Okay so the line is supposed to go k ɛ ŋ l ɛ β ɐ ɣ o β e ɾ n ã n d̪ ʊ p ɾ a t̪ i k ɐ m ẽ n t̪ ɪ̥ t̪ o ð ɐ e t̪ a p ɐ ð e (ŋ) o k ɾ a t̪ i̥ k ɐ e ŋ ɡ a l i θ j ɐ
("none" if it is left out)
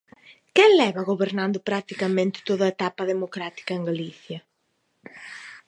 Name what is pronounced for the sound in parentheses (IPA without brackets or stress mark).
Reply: m